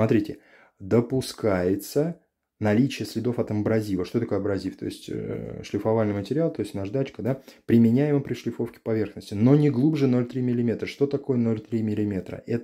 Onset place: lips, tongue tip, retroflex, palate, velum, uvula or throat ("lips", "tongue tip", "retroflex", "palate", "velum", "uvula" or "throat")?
tongue tip